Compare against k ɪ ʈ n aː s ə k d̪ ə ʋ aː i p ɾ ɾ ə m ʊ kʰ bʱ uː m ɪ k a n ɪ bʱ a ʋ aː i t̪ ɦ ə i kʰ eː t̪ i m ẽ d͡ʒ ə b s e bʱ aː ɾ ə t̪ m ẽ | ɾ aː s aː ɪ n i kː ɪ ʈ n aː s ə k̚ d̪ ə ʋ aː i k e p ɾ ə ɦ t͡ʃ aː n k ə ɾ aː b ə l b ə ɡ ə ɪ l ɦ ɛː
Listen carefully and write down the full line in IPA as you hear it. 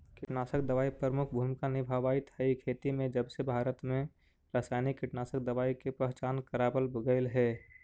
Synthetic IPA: k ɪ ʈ n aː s ə k d̪ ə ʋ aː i p ɾ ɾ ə m ʊ kʰ bʱ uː m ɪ k a n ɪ bʱ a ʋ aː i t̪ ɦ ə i kʰ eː t̪ i m ẽ d͡ʒ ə b s e bʱ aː ɾ ə t̪ m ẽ | ɾ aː s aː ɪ n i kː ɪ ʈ n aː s ə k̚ d̪ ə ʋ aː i k e p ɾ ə ɦ t͡ʃ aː n k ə ɾ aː b ə l b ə ɡ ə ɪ l ɦ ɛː